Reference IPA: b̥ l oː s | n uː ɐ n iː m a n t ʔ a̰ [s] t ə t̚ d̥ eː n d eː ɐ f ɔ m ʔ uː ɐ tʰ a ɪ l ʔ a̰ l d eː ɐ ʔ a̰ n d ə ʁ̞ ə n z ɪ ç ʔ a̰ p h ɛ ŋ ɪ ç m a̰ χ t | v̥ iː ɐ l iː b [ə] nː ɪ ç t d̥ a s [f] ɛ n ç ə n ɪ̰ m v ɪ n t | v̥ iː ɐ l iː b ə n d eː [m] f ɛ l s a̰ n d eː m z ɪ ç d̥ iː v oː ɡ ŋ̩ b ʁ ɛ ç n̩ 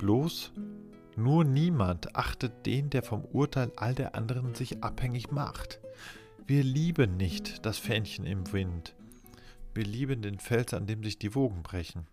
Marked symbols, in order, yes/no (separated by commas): no, yes, yes, no